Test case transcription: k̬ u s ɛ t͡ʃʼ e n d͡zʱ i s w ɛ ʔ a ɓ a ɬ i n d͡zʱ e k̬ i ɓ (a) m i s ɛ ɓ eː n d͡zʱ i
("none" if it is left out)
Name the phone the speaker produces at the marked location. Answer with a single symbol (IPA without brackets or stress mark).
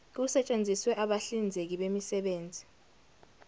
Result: e